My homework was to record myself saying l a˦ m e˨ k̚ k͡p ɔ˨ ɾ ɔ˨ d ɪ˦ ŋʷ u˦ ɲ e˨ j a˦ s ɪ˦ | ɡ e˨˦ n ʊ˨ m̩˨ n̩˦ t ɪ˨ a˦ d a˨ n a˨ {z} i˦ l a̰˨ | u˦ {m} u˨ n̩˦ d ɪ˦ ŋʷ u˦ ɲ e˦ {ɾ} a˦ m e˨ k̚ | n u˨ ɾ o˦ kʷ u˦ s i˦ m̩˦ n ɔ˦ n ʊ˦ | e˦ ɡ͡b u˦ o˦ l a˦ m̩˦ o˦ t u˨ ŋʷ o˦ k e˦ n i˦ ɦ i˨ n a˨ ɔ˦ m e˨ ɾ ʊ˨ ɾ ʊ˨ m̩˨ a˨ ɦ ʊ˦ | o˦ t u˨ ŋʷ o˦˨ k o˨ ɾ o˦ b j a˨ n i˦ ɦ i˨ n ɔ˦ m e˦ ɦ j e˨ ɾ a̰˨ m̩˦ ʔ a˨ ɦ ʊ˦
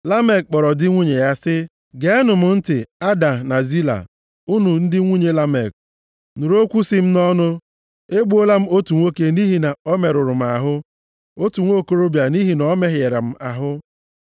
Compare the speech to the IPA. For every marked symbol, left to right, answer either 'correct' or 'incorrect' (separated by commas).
correct, incorrect, incorrect